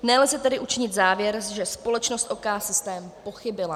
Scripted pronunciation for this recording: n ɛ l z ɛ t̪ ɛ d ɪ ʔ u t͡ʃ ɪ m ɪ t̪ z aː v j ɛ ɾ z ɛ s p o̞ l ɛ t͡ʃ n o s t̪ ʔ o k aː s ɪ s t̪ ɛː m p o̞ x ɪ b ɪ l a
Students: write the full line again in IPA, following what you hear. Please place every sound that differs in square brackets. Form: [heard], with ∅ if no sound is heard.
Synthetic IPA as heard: n ɛ l z ɛ t̪ ɛ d ɪ ʔ u t͡ʃ ɪ [ɲ] ɪ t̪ z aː v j ɛ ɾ [ʒ] ɛ s p o̞ l ɛ t͡ʃ n o s t̪ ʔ o k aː s ɪ s t̪ ɛː m p o̞ x ɪ b ɪ l a